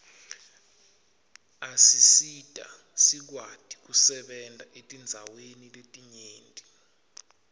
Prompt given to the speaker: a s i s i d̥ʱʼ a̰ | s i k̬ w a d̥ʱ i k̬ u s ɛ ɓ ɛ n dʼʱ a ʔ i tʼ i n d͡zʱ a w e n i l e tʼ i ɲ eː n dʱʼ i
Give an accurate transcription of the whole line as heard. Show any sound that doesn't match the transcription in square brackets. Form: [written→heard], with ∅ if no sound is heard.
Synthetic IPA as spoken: a s i s i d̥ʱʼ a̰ | s i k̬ w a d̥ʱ i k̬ u s ɛ ɓ ɛ n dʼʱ a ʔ [i→e] tʼ i n d͡zʱ a w e n i l e tʼ i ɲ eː n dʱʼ i